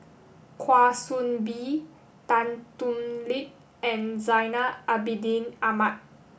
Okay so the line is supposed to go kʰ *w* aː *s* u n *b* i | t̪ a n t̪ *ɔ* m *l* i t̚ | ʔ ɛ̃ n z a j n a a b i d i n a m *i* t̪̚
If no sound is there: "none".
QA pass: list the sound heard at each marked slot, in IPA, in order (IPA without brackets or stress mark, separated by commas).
w, s, b, u, l, a